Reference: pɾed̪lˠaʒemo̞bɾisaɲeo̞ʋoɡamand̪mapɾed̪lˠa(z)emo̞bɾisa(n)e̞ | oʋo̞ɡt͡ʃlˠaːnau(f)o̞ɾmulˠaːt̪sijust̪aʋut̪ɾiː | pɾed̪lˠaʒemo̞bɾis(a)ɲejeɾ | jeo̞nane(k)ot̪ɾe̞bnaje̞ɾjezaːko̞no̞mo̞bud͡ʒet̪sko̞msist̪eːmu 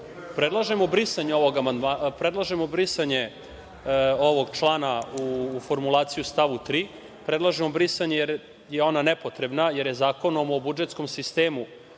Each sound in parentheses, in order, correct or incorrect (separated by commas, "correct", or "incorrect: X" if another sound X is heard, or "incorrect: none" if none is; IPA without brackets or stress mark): incorrect: ʒ, incorrect: ɲ, correct, correct, incorrect: p